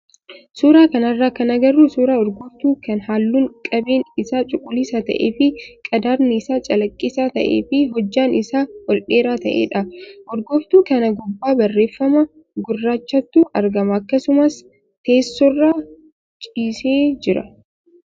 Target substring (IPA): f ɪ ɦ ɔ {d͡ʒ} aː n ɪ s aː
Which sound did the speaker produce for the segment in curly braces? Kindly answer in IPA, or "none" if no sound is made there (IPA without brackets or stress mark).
d͡ʒː